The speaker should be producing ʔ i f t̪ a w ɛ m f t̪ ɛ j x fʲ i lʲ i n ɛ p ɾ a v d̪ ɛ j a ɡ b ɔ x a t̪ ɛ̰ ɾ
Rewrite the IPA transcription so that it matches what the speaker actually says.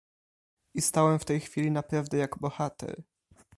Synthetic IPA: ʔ i s t̪ a w ɛ m f t̪ ɛ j x fʲ i lʲ i n a p ɾ a v d̪ ɛ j a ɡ b ɔ x a t̪ ɛ̰ ɾ